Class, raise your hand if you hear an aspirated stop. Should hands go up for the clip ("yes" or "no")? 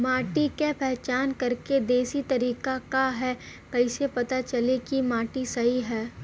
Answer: no